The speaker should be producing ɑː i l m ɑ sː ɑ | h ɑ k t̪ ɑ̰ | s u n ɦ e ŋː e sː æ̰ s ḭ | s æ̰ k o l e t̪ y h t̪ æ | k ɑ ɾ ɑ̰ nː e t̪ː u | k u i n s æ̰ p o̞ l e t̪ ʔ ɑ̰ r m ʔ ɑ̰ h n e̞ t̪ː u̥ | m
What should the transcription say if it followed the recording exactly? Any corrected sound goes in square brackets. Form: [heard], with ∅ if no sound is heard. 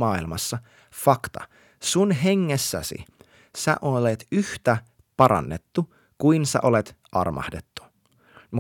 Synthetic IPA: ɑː i l m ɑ sː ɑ | [f] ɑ k t̪ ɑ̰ | s u n ɦ e ŋː e sː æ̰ s ḭ | s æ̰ [ʔ] o l e t̪ y h t̪ æ | [p] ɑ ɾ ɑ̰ nː e t̪ː u | k u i n s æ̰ [ʔ] o̞ l e t̪ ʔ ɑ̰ r m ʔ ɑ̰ h [d] e̞ t̪ː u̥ | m